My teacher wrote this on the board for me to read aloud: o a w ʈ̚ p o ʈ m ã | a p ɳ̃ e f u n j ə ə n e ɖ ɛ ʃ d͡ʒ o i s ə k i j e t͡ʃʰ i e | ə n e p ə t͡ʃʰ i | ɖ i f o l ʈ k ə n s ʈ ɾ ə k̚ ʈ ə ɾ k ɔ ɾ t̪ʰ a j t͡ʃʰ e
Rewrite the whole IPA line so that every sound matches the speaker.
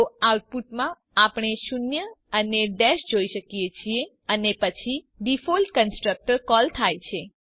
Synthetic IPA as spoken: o a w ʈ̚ p u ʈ m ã | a p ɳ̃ e ʃ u n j ə ə n e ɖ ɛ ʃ d͡ʒ o i ʃ ə k i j e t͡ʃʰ i e | ə n e p ə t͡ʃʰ i | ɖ i f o l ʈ k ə n s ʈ ɾ ə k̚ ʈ ə ɾ k ɔ l t̪ʰ a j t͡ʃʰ e